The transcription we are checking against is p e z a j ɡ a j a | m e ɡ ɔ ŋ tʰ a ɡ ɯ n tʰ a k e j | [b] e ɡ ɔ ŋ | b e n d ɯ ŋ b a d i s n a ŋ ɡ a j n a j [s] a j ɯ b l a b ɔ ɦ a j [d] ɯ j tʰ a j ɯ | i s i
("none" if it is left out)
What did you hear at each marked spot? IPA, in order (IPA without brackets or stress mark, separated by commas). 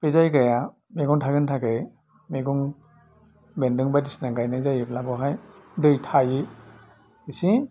m, z, d